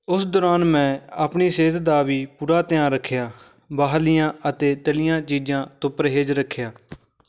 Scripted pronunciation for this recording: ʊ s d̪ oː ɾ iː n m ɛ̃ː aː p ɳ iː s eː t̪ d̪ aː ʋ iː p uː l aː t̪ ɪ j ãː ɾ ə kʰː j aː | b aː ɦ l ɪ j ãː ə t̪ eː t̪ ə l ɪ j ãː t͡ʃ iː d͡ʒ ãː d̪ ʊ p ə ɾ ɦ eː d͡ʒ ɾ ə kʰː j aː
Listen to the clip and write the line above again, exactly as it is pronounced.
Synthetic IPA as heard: ʊ s d̪ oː ɾ aː n m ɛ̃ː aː p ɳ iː s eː t̪ d̪ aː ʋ iː p uː ɾ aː t̪ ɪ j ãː ɾ ə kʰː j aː | b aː ɦ l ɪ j ãː ə t̪ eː t̪ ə l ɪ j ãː t͡ʃ iː d͡ʒ ãː t̪ ʊ p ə ɾ ɦ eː d͡ʒ ɾ ə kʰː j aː